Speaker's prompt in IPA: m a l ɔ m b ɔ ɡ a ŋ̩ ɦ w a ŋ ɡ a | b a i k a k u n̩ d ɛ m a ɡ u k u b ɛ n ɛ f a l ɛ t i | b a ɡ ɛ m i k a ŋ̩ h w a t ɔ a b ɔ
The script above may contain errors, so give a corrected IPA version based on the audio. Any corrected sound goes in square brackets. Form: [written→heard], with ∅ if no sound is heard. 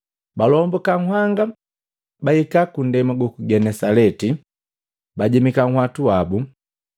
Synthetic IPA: [m→b] a l ɔ m b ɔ [ɡ→k] a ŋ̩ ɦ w a ŋ ɡ a | b a i k a k u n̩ d ɛ m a ɡ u k u [b→ɡ] ɛ n ɛ [f→s] a l ɛ t i | b a [ɡ→ɟ] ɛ m i k a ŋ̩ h w a t [ɔ→u] a b [ɔ→u]